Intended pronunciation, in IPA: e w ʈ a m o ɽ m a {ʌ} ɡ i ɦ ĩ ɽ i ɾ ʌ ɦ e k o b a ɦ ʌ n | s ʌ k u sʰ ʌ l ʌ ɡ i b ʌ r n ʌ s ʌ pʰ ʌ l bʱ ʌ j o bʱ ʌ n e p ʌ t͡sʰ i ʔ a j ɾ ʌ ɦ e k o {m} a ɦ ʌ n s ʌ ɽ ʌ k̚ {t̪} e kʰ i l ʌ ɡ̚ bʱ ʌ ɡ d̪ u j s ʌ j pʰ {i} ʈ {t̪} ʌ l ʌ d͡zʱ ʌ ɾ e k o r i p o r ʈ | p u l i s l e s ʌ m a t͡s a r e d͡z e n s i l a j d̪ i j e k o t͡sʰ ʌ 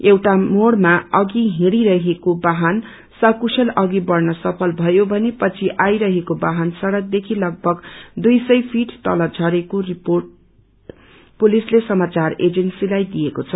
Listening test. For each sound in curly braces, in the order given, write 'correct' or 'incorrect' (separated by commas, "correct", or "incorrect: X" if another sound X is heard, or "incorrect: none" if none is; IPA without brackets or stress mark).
correct, incorrect: b, incorrect: d̪, correct, correct